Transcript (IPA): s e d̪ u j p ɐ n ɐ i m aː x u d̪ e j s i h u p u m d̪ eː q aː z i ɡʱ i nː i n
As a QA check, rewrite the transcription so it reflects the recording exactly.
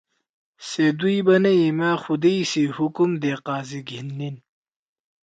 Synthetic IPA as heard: s e d̪ u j b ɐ n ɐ i m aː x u d̪ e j s i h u k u m d̪ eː q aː z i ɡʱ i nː i n

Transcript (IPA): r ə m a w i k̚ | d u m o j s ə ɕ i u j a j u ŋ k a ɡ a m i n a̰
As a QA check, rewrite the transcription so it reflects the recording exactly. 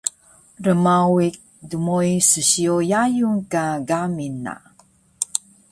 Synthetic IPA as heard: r ə m a w i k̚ | d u m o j s ə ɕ i o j a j u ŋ k a ɡ a m i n a̰

